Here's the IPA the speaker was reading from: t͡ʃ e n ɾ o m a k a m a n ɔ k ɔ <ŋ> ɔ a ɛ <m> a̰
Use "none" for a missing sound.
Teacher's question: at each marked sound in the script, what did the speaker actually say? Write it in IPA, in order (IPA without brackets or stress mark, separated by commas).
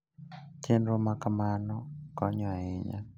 ɲ, ɲ